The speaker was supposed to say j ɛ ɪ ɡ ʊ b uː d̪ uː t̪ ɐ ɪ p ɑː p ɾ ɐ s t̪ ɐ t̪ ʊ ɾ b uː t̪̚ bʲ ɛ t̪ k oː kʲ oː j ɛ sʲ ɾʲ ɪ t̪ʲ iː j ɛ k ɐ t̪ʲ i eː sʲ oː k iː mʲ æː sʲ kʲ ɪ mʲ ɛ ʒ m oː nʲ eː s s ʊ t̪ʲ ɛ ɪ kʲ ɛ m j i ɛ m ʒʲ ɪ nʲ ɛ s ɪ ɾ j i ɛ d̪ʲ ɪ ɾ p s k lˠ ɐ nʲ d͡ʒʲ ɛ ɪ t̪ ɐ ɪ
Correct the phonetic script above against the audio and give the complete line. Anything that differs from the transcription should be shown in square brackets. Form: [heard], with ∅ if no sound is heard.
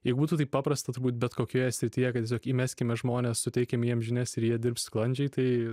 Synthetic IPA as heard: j ɛ ɪ ɡ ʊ b uː [t̪] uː t̪ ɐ ɪ p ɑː p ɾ ɐ s t̪ ɐ t̪ ʊ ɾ b uː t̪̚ bʲ ɛ t̪ k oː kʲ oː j ɛ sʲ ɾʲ ɪ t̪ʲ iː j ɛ k ɐ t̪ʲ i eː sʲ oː k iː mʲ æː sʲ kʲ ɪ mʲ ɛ ʒ m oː nʲ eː s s ʊ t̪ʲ ɛ ɪ kʲ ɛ m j i ɛ m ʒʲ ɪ nʲ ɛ s ɪ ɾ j i ɛ d̪ʲ ɪ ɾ p s k lˠ ɐ nʲ d͡ʒʲ ɛ ɪ t̪ ɐ ɪ

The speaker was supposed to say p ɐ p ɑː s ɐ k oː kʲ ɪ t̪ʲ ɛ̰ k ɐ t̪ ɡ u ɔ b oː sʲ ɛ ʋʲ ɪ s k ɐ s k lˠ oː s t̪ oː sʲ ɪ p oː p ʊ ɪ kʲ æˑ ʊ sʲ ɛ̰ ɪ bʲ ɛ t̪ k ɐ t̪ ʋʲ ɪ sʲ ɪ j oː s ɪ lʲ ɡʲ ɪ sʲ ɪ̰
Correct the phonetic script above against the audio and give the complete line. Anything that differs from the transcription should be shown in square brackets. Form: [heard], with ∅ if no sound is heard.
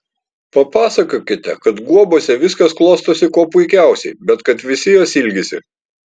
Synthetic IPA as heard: p ɐ p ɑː s ɐ k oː kʲ ɪ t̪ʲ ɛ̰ k ɐ t̪ ɡ u ɔ b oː sʲ ɛ ʋʲ ɪ s k ɐ s k lˠ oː s t̪ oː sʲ ɪ [k] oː p ʊ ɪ kʲ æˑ ʊ sʲ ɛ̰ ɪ bʲ ɛ t̪ k ɐ t̪ ʋʲ ɪ sʲ ɪ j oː s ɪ lʲ ɡʲ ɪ sʲ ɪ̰

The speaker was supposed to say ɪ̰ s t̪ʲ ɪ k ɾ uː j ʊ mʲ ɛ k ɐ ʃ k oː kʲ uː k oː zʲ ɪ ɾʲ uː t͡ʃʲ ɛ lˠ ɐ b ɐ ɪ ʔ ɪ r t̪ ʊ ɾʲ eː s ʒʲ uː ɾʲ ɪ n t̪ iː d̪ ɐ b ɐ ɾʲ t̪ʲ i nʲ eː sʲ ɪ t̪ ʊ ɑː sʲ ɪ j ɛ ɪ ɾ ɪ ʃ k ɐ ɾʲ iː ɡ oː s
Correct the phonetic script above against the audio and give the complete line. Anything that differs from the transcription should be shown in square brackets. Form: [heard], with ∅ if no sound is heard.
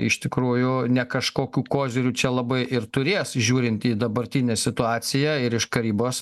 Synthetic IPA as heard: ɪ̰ [ʃ] t̪ʲ ɪ k ɾ uː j ʊ [nʲ] ɛ k ɐ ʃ k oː kʲ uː k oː zʲ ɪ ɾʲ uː t͡ʃʲ ɛ lˠ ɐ b ɐ ɪ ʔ ɪ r t̪ ʊ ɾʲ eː s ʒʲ uː ɾʲ ɪ n t̪ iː d̪ ɐ b ɐ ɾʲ t̪ʲ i nʲ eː sʲ ɪ t̪ ʊ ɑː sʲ ɪ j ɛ ɪ ɾ ɪ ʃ k ɐ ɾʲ iː [b] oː s

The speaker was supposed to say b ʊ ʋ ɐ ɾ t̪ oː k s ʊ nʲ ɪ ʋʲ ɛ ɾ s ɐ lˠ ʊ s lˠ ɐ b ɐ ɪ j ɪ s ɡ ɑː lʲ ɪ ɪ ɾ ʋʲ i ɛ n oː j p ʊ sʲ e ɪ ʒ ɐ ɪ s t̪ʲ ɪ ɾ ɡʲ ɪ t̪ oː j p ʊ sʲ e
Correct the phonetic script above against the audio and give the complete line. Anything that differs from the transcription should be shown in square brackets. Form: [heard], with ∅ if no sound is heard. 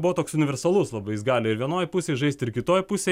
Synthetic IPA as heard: b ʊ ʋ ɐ [∅] t̪ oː k s ʊ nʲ ɪ ʋʲ ɛ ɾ s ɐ lˠ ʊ s lˠ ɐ b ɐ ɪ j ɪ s ɡ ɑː lʲ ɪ ɪ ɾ ʋʲ i ɛ n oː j p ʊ sʲ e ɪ ʒ ɐ ɪ s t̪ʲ ɪ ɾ [kʲ] ɪ t̪ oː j p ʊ sʲ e

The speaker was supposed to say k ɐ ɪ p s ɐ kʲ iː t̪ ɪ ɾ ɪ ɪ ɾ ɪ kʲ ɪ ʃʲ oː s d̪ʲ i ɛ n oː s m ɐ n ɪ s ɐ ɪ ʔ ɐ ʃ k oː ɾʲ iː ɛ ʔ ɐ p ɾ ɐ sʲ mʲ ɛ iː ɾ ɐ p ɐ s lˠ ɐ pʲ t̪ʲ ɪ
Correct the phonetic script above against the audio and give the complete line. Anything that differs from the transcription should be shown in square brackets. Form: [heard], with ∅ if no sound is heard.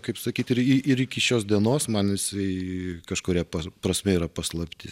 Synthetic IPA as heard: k ɐ ɪ p s ɐ kʲ iː t̪ ɪ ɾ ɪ ɪ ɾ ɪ kʲ ɪ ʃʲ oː s d̪ʲ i ɛ n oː s m ɐ n ɪ s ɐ ɪ [k] ɐ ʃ k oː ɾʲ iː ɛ [p] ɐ p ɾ ɐ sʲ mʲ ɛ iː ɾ ɐ p ɐ s lˠ ɐ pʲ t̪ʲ ɪ

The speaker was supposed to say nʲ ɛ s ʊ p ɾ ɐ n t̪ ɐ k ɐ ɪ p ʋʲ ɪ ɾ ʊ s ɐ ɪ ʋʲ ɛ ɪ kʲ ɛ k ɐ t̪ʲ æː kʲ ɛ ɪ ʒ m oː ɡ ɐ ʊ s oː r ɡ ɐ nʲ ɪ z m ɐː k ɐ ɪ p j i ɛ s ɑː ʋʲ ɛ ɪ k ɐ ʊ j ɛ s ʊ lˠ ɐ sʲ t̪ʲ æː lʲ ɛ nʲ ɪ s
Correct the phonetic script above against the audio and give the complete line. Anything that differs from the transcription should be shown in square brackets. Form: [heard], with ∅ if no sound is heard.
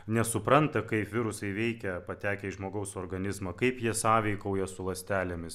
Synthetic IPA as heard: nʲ ɛ s ʊ p ɾ ɐ n t̪ ɐ k ɐ ɪ p ʋʲ ɪ ɾ ʊ s ɐ ɪ ʋʲ ɛ ɪ kʲ ɛ [p] ɐ t̪ʲ æː kʲ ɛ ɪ ʒ m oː ɡ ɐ ʊ s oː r ɡ ɐ nʲ ɪ z m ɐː k ɐ ɪ p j i ɛ s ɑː ʋʲ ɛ ɪ k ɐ ʊ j ɛ s ʊ lˠ ɐ sʲ t̪ʲ æː lʲ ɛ [mʲ] ɪ s

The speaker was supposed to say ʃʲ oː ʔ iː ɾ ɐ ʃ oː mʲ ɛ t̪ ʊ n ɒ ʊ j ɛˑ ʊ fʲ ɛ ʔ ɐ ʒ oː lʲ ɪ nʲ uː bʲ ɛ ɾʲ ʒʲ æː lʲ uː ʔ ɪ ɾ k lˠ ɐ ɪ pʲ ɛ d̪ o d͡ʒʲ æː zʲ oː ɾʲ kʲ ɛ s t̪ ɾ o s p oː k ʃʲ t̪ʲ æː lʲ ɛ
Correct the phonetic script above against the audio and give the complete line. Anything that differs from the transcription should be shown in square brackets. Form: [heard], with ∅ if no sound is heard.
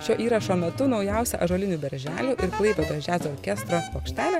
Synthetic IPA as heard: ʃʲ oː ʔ iː ɾ ɐ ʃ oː mʲ ɛ t̪ ʊ n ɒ ʊ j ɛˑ ʊ [sʲ] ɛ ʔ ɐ ʒ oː lʲ ɪ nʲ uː bʲ ɛ ɾʲ ʒʲ æː lʲ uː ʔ ɪ ɾ k lˠ ɐ ɪ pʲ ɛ d̪ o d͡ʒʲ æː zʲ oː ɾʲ kʲ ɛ s t̪ ɾ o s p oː k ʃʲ t̪ʲ æː lʲ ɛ

